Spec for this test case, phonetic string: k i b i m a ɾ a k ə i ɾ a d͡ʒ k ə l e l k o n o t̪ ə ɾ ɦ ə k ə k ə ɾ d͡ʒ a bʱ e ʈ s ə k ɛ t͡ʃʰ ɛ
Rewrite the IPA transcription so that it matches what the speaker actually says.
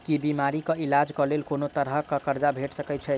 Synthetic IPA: k i b i m a ɾ i k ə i l a d͡ʒ k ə l e l k o n o t̪ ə ɾ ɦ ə k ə k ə ɾ d͡ʒ a bʱ e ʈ s ə k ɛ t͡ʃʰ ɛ